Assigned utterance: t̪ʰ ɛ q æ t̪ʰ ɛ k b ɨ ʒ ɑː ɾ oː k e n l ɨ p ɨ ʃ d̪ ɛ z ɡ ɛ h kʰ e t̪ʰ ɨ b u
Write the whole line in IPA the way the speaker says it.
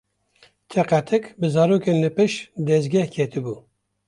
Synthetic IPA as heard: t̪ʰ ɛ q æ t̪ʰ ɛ k b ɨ z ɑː ɾ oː k e n l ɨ p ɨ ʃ d̪ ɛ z ɡ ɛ h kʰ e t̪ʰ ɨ b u